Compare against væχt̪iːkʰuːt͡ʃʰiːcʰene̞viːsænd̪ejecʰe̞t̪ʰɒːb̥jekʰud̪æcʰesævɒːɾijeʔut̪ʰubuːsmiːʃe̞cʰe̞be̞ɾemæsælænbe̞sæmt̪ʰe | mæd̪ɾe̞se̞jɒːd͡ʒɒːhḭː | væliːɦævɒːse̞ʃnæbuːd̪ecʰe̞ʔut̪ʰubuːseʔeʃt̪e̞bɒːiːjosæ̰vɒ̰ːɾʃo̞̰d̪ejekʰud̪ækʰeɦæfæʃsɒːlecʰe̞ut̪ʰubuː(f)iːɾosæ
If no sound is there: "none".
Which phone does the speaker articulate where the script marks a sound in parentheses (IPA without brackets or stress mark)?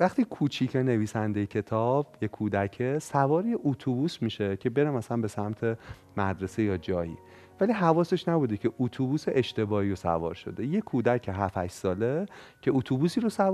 s